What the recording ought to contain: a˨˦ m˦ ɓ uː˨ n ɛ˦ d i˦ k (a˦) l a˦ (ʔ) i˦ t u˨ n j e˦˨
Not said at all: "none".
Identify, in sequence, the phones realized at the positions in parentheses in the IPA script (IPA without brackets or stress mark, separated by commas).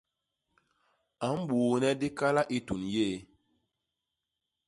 a˦, ʔ